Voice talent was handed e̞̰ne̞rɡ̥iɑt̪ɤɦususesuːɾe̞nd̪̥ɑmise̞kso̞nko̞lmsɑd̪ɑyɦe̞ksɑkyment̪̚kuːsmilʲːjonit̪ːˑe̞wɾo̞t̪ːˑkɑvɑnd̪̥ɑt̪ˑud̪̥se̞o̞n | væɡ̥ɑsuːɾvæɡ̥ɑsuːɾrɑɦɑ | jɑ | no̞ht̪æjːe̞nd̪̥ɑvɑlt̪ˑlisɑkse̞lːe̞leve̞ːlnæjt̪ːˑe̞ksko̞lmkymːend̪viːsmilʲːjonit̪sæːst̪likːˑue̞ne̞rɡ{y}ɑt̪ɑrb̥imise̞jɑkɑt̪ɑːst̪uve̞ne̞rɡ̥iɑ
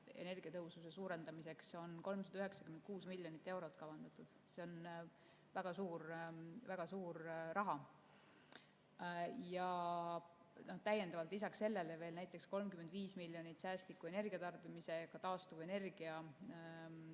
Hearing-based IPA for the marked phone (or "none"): i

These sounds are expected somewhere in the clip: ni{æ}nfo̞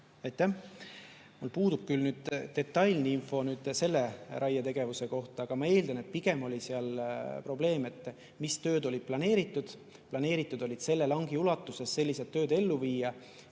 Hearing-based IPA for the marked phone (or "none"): i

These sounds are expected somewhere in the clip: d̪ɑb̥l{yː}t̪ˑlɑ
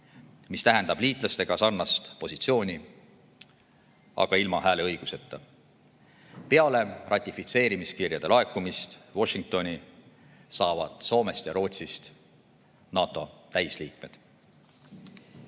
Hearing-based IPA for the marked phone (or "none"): iː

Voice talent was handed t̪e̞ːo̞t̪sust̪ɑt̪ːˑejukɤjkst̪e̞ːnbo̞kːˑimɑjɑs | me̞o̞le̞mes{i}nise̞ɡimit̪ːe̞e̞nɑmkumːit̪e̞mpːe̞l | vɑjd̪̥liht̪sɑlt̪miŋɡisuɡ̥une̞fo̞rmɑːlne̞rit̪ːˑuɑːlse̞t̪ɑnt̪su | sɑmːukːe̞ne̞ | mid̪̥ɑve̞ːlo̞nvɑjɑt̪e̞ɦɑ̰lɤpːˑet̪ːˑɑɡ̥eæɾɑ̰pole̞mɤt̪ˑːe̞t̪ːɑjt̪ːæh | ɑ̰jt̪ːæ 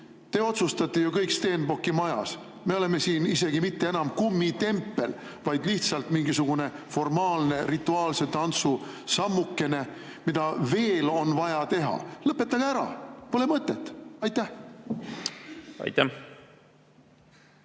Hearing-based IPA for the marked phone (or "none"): iː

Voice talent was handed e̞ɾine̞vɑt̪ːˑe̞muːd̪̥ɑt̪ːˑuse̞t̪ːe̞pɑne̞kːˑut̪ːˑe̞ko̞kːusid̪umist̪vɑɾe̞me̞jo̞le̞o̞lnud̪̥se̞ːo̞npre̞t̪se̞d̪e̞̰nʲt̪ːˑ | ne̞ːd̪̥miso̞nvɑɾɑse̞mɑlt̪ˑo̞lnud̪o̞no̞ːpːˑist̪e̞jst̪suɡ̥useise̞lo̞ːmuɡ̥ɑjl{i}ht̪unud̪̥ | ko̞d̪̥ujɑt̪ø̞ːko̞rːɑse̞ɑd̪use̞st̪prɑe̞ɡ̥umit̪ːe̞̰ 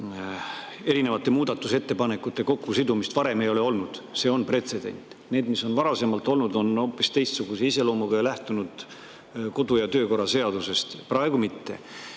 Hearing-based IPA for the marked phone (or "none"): æ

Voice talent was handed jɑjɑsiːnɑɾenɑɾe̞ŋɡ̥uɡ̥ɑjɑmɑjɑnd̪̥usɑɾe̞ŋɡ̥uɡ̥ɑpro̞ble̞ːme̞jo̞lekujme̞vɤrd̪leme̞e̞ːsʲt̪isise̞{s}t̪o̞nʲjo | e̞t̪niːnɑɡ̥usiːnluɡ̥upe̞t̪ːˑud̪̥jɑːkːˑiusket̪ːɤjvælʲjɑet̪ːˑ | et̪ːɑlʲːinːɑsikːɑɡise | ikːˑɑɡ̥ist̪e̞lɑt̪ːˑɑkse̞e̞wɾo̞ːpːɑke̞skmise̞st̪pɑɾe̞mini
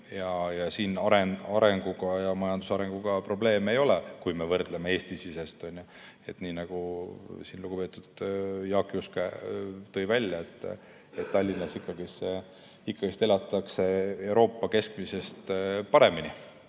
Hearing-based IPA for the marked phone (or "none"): s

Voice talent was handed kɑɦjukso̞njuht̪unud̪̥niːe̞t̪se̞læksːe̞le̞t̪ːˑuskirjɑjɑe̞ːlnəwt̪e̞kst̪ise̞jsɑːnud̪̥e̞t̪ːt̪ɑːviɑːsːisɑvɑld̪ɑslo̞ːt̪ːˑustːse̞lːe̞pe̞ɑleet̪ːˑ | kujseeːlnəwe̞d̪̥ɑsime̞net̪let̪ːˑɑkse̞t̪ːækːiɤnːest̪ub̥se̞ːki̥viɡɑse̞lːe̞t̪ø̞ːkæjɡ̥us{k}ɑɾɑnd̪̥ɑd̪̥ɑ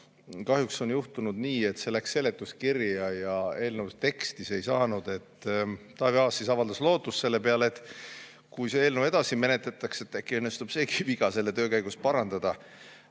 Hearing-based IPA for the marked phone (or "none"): p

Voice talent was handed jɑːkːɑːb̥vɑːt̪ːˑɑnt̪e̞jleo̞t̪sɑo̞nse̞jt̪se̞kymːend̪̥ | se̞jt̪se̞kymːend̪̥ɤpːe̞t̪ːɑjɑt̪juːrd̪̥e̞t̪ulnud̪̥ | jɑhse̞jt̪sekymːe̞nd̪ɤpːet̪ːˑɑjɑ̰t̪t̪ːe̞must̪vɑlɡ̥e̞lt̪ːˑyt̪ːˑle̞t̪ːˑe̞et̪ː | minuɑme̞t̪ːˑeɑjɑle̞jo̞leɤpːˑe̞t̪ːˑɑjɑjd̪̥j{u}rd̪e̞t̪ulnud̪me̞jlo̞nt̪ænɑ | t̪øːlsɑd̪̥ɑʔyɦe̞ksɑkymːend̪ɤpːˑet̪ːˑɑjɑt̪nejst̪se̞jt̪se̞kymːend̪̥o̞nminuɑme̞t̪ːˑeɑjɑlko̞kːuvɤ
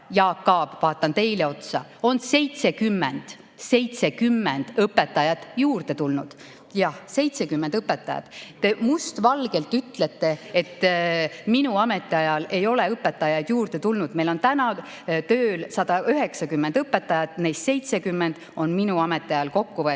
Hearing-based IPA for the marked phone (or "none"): uː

